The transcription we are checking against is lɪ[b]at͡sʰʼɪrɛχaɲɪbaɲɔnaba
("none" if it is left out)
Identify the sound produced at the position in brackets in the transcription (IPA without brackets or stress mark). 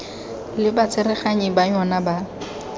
b